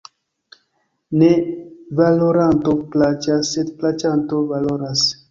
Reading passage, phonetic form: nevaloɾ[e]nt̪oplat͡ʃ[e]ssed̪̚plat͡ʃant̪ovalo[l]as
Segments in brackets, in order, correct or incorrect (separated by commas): incorrect, incorrect, incorrect